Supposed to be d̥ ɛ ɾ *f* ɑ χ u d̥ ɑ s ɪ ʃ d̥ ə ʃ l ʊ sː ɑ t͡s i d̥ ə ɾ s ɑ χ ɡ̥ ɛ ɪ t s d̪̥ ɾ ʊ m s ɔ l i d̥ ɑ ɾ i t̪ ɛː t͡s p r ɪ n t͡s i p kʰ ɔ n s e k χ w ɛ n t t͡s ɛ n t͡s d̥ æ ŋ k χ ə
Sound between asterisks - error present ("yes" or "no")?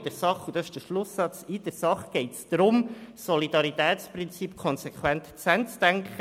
yes